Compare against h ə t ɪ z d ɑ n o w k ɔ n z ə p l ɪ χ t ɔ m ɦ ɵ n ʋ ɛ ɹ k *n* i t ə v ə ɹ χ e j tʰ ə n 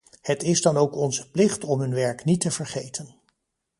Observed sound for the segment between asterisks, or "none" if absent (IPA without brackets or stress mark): n